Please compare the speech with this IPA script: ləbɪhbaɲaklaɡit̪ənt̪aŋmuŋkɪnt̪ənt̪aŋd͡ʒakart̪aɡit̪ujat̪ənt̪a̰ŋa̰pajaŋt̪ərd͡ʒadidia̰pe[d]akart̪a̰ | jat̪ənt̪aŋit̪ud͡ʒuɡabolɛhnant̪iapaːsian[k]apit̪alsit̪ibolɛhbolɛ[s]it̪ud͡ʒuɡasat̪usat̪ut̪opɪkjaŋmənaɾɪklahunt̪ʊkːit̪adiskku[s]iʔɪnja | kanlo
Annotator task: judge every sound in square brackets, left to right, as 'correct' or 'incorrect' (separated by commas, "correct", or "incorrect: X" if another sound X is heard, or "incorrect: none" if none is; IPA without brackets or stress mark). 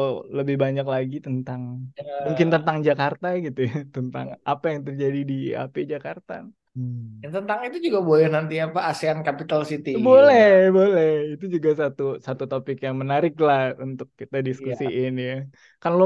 incorrect: d͡ʒ, correct, incorrect: h, correct